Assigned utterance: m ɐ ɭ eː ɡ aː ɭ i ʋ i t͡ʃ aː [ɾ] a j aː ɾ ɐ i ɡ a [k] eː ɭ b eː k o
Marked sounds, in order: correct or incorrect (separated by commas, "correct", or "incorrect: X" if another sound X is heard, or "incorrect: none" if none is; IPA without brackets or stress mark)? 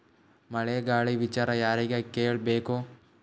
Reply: correct, correct